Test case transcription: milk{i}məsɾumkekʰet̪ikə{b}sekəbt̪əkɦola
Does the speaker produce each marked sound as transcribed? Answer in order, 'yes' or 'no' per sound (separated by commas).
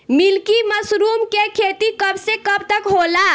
yes, yes